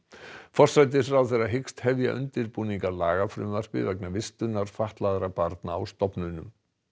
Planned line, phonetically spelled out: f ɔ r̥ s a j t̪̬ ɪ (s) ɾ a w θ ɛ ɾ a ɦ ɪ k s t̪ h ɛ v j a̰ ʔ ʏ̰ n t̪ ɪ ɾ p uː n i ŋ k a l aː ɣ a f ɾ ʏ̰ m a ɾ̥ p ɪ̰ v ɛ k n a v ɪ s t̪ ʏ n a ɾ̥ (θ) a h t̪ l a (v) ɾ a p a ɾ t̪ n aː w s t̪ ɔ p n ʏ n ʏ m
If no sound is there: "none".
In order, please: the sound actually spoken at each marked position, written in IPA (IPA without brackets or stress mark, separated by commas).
f, f, ð